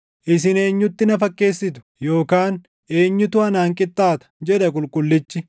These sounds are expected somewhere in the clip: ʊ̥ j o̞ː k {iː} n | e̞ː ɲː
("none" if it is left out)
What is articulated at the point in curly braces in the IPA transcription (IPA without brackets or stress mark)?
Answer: aː